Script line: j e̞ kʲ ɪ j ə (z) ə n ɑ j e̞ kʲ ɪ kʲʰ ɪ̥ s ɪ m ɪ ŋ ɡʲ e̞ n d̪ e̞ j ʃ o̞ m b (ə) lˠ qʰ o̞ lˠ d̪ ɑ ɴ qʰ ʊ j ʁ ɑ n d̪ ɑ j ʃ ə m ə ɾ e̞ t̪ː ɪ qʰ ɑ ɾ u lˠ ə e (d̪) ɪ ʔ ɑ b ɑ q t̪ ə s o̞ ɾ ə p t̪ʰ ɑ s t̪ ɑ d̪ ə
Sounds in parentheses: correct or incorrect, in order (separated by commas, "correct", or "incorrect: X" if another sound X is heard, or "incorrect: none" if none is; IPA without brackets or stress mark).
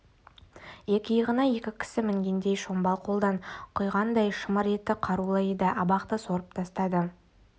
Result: incorrect: ʁ, incorrect: ɑ, correct